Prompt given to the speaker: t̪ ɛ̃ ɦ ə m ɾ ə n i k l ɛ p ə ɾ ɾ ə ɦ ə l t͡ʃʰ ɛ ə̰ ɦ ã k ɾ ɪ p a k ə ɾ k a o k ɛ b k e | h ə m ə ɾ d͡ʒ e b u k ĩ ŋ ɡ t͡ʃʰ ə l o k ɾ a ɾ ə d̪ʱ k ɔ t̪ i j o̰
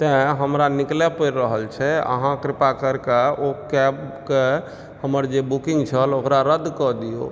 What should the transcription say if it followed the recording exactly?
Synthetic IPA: t̪ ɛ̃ ɦ ə m ɾ a n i k l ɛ p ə ɾ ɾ ə ɦ ə l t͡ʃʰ ɛ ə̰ ɦ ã k ɾ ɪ p a k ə ɾ k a o k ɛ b k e | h ə m ə ɾ d͡ʒ e b u k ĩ ŋ ɡ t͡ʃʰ ə l o k ɾ a ɾ ə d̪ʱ k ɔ d̪ i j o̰

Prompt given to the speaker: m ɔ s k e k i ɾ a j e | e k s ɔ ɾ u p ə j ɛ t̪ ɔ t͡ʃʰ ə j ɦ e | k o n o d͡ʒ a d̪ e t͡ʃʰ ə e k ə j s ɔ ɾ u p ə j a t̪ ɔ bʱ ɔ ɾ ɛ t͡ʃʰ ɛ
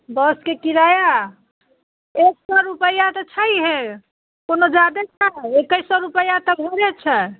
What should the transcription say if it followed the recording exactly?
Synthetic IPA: b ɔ s k e k i ɾ a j a | e k s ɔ ɾ u p ə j a t̪ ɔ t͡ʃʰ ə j ɦ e | k o n o d͡ʒ a d̪ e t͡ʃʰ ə e k ə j s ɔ ɾ u p ə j a t̪ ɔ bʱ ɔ ɾ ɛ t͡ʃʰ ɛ

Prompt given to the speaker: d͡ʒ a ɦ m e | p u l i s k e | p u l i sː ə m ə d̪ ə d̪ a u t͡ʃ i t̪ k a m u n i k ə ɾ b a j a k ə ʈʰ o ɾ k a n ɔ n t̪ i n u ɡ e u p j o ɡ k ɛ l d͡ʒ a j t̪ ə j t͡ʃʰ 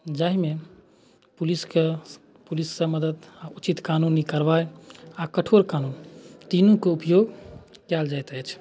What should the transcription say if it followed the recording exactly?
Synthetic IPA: d͡ʒ a ɦ m e | p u l i s k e | p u l i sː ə m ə d̪ ə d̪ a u t͡ʃ i t̪ k a n u n i k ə ɾ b a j a k ə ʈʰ o ɾ k a n u n t̪ i n u k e u p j o ɡ k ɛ l d͡ʒ a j t̪ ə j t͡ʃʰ

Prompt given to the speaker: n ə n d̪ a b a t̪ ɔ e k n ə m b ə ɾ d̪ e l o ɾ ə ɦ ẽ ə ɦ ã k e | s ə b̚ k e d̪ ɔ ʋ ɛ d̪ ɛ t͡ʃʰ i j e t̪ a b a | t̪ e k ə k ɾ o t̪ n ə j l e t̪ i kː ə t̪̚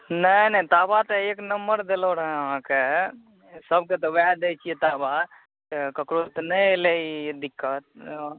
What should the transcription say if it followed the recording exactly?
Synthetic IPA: n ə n t̪ a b a t̪ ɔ e k n ə m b ə ɾ d̪ e l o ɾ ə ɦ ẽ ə ɦ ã k e | s ə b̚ k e t̪ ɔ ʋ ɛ d̪ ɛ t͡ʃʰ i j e t̪ a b a | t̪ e k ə k ɾ o t̪ n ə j l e d̪ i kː ə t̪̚

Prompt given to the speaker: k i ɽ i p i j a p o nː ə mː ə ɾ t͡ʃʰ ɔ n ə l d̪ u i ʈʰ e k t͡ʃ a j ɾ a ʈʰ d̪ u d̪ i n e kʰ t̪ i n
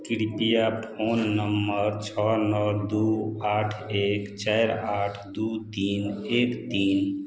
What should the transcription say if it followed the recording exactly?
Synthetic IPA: k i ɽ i p i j a pʰ o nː ə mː ə ɾ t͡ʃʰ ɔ n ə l d̪ u a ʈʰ e k t͡ʃ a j ɾ a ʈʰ d̪ u t̪ i n e k t̪ i n

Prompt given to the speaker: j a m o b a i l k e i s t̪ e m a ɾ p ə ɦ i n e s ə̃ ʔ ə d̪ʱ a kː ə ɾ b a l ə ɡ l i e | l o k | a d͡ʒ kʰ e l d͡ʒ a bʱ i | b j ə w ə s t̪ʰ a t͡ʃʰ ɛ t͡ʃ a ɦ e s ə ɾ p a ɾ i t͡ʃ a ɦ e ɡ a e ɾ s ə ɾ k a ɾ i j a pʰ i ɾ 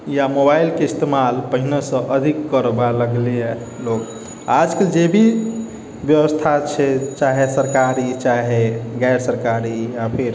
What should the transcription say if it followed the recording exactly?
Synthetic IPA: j a m o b a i l k e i s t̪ e m a l p ə ɦ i n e s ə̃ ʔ ə d̪ʱ i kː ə ɾ b a l ə ɡ l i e | l o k | a d͡ʒ k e l d͡ʒ e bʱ i | b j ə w ə s t̪ʰ a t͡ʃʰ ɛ t͡ʃ a ɦ e s ə ɾ k a ɾ i t͡ʃ a ɦ e ɡ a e ɾ s ə ɾ k a ɾ i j a pʰ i ɾ

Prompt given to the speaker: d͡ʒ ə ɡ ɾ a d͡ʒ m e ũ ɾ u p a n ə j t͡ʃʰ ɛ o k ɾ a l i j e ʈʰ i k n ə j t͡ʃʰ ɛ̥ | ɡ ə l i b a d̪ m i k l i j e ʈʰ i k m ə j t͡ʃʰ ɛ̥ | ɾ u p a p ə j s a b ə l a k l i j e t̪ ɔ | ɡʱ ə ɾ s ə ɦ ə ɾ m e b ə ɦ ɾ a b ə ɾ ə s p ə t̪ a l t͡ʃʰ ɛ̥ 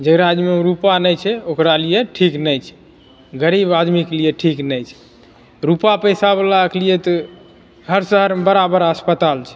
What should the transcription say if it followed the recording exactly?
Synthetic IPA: d͡ʒ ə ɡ ɾ a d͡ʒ m e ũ ɾ u p a n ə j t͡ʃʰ ɛ o k ɾ a l i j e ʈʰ i k n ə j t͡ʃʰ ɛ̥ | ɡ ə ɾ i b a d̪ m i k l i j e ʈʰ i k n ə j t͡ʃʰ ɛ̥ | ɾ u p a p ə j s a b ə l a k l i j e t̪ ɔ | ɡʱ ə ɾ s ə ɦ ə ɾ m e b ə ɾ a b ə ɾ ə s p ə t̪ a l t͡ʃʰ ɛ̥

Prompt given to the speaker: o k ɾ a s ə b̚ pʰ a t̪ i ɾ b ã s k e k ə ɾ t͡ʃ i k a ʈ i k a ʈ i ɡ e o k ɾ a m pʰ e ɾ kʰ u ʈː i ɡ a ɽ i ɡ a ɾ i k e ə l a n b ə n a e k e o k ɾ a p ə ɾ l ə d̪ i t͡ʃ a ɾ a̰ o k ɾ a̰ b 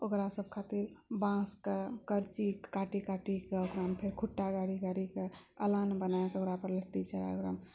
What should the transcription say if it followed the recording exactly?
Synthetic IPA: o k ɾ a s ə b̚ kʰ a t̪ i ɾ b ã s k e k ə ɾ t͡ʃ i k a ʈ i k a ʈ i k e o k ɾ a m pʰ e ɾ kʰ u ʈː a ɡ a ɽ i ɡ a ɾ i k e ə l a n b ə n a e k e o k ɾ a p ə ɾ l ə t̪ i t͡ʃ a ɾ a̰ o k ɾ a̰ m

